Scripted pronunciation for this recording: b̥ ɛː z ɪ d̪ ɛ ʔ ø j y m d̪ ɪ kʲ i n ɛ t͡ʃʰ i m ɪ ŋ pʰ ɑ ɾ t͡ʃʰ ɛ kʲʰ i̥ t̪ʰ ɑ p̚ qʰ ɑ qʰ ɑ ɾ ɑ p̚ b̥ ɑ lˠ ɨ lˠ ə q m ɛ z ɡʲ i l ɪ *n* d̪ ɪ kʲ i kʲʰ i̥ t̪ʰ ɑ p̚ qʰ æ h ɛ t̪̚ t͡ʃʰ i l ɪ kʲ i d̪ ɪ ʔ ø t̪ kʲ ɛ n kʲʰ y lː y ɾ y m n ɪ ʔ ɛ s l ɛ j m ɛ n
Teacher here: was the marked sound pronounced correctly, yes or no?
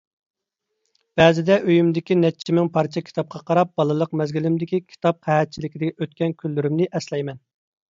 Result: no